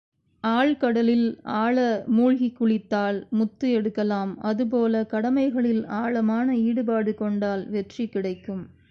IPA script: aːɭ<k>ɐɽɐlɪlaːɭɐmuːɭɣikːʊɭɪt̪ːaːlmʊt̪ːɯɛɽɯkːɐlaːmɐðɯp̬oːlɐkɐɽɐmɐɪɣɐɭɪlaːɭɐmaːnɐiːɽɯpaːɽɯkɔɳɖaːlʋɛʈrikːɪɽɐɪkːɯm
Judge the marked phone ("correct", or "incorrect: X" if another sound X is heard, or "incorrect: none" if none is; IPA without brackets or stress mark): correct